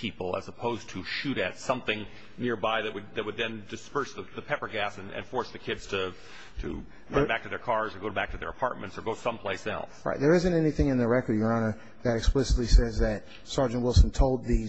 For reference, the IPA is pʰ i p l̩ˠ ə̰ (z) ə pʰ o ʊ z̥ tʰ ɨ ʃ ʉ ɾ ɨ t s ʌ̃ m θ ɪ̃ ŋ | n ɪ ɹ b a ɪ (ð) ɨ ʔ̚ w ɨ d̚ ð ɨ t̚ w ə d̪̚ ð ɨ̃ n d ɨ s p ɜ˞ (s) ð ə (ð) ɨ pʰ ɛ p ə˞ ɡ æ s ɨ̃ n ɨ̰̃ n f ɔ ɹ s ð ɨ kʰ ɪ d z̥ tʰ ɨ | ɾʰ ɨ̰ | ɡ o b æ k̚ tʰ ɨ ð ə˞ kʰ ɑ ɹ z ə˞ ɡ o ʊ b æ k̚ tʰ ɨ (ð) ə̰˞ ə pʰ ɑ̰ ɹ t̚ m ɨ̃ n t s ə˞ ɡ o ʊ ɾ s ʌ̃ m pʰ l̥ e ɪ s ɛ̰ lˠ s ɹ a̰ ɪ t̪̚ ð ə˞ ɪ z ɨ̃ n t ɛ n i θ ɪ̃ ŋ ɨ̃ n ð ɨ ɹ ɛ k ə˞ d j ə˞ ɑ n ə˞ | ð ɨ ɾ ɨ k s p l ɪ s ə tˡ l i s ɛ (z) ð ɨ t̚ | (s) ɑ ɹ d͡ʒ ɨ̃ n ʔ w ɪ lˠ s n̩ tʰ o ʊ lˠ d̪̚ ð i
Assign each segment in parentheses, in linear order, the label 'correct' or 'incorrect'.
correct, correct, correct, correct, correct, correct, correct

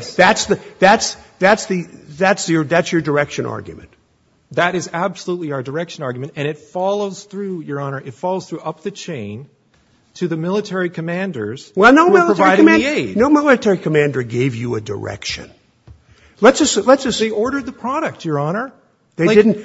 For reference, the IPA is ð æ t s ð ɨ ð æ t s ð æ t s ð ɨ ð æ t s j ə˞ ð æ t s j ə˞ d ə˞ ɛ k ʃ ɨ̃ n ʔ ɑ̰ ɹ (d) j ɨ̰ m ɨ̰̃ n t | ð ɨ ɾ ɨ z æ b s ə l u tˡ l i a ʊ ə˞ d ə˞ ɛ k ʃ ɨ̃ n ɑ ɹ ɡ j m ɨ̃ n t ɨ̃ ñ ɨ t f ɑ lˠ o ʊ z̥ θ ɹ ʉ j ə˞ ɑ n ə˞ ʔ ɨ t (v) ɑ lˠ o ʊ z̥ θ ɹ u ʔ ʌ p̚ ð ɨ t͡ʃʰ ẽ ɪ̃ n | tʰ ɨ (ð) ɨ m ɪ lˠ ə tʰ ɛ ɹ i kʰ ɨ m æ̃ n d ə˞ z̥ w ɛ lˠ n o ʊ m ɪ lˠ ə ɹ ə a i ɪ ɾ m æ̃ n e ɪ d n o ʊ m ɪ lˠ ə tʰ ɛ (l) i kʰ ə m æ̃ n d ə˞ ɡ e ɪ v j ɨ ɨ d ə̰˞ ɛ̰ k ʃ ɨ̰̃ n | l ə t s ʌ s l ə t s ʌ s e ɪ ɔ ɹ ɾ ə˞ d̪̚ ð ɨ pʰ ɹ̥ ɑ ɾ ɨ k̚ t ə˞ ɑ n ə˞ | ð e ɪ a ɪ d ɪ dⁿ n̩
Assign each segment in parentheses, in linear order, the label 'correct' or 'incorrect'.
incorrect: ɡ, incorrect: f, correct, incorrect: ɹ

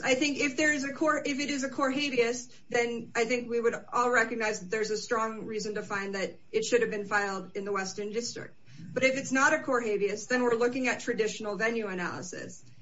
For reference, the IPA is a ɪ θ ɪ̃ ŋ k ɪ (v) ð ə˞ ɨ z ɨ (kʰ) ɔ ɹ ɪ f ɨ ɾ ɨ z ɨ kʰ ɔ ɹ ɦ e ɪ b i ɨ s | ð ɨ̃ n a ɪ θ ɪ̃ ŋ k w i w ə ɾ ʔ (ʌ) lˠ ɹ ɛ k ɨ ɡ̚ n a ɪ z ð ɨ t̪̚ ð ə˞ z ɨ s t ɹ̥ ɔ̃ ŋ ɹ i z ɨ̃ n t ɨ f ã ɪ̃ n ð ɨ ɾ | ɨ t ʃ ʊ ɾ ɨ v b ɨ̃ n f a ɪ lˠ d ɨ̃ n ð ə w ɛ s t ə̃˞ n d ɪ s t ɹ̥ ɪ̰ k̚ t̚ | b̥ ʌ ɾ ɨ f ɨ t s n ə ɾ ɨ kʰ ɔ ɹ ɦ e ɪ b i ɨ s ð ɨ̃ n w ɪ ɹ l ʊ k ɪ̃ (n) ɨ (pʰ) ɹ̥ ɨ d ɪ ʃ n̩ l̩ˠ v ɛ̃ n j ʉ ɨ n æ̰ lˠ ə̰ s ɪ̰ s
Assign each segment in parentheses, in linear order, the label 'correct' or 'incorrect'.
incorrect: f, correct, incorrect: ɔ, incorrect: ŋ, incorrect: tʰ

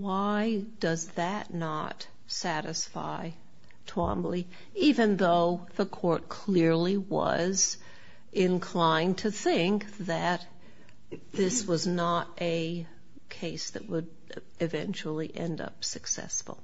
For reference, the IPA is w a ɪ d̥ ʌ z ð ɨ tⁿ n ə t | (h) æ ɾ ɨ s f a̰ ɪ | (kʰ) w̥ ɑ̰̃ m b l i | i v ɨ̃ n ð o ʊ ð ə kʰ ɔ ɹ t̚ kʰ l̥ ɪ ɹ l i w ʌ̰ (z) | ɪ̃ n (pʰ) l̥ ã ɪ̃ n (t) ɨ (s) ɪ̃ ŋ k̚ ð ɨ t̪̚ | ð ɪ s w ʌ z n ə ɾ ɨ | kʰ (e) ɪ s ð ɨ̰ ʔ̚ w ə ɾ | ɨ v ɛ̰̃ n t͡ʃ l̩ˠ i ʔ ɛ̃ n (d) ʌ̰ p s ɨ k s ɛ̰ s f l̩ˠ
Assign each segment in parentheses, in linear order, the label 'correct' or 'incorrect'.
incorrect: s, incorrect: tʰ, correct, incorrect: kʰ, incorrect: tʰ, incorrect: θ, correct, correct

